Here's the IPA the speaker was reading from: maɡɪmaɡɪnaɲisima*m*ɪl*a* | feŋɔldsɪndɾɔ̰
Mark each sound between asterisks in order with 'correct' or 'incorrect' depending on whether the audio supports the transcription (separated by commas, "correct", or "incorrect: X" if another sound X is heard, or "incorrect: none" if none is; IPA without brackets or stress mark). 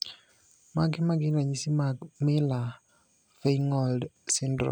correct, correct